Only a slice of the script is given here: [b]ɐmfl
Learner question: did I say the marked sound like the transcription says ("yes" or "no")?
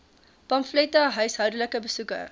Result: no